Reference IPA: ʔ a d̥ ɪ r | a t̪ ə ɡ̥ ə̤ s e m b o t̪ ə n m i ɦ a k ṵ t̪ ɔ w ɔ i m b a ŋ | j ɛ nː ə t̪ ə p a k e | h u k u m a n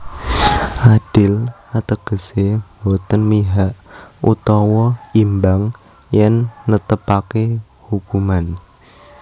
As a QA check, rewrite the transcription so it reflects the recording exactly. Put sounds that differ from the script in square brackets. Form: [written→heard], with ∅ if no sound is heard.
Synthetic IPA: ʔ a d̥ ɪ [r→l] | a t̪ ə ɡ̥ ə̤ s e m b o t̪ ə n m i ɦ a [k→ʔ] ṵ t̪ ɔ w ɔ i m b a ŋ | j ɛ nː ə t̪ ə p a k e | h u k u m a n